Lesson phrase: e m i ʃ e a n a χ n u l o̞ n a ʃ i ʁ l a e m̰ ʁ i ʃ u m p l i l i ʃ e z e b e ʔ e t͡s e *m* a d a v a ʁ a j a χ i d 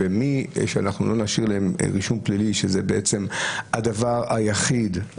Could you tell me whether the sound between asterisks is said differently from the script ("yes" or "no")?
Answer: no